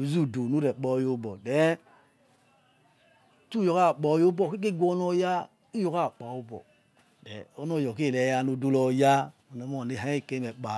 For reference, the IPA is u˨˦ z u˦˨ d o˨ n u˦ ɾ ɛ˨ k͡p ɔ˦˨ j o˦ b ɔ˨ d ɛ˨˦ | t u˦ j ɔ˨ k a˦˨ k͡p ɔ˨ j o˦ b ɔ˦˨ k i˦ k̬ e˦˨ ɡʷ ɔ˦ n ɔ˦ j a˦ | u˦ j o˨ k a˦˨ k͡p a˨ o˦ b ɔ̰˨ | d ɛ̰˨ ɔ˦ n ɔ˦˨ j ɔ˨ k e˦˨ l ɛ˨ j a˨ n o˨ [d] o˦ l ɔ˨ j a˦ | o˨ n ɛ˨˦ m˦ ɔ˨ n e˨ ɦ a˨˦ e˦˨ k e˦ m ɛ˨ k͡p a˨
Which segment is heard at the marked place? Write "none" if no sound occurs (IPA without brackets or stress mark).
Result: d